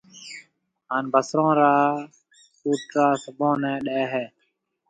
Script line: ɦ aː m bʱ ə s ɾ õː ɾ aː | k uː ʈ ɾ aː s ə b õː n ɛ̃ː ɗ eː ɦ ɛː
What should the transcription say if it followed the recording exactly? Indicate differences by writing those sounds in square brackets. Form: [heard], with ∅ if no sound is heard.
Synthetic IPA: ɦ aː [n] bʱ ə s ɾ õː ɾ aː | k uː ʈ ɾ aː s ə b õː n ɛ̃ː ɗ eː ɦ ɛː